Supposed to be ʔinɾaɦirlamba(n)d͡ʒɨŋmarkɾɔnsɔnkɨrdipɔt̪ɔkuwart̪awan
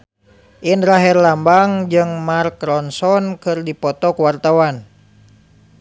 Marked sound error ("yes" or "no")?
yes